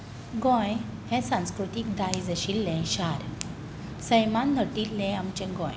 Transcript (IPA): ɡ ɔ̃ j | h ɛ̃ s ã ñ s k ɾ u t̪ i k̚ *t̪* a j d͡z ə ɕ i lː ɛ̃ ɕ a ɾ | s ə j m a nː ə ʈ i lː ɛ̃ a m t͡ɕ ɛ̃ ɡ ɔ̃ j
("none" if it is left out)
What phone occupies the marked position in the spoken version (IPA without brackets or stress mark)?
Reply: d̪